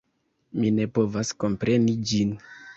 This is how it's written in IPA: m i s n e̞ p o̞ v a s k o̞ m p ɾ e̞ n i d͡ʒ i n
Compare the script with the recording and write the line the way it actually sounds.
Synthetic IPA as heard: m i n e̞ p o̞ v a s k o̞ m p ɾ e̞ n i d͡ʒ i n